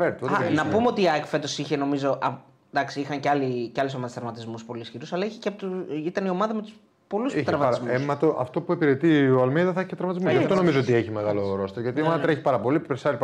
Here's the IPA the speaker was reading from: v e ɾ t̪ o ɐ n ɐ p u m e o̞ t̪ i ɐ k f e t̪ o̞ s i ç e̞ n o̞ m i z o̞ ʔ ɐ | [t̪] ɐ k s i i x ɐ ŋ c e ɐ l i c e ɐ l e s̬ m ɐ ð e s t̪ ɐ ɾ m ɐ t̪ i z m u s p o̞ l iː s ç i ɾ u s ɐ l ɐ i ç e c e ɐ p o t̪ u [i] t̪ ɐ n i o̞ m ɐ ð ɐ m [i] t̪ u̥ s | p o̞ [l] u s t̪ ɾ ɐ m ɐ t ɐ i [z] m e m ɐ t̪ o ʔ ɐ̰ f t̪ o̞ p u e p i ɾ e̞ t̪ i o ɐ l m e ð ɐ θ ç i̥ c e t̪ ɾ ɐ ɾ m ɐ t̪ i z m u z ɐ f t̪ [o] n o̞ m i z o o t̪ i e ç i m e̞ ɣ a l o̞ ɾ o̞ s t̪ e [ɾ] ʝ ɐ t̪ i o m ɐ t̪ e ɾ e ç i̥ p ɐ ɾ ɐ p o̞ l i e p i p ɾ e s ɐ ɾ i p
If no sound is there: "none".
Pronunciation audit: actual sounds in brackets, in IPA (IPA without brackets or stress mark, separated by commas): d̪, i, e, l, z, o, ɾ